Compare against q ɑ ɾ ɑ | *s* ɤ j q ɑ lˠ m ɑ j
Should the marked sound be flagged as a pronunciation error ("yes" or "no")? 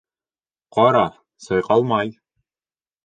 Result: no